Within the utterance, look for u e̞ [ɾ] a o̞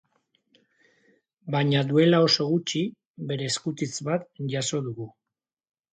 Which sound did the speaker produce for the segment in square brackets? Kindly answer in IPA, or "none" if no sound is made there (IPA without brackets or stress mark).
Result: l